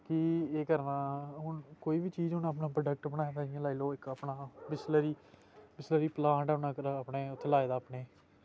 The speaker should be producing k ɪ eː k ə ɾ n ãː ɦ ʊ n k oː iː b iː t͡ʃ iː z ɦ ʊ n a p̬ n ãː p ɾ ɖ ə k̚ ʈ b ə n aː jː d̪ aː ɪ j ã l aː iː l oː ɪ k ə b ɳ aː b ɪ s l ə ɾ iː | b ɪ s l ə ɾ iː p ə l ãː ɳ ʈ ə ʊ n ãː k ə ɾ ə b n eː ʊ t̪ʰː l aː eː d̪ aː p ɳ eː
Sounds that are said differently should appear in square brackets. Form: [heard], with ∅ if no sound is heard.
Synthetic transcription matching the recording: k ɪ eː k ə ɾ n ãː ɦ ʊ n k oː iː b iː t͡ʃ iː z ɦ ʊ n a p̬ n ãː p ɾ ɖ ə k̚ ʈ b ə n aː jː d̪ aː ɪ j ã l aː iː l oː ɪ k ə [p] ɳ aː b ɪ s l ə ɾ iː | b ɪ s l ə ɾ iː p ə l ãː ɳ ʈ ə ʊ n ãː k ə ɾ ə [p] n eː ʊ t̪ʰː l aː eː d̪ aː p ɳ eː